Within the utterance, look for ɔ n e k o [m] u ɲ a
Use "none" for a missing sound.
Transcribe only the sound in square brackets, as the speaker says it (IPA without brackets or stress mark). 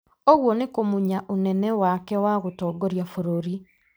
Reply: m